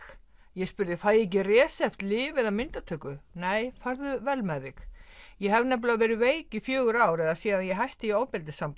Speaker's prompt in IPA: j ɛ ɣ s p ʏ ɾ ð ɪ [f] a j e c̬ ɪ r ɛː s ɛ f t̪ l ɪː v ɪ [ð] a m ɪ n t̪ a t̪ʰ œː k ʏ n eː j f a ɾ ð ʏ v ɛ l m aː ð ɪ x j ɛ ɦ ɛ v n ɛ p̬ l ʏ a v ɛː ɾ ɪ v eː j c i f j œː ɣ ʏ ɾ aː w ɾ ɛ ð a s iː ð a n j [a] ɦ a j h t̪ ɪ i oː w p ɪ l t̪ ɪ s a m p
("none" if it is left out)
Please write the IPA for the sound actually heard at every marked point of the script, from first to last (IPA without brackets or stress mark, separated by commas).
f, ð, ɛ